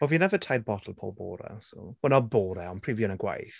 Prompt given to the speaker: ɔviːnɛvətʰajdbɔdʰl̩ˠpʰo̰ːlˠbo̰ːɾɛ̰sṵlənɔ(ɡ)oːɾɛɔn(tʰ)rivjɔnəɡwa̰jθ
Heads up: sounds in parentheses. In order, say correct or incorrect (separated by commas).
incorrect, incorrect